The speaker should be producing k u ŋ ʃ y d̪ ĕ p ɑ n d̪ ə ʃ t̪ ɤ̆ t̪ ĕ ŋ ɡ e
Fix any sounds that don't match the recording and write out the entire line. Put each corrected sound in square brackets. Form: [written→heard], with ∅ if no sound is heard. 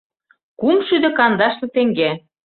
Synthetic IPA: k u [ŋ→m] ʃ y d̪ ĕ [p→k] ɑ n d̪ [ə→ɑ] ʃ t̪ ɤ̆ t̪ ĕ ŋ ɡ e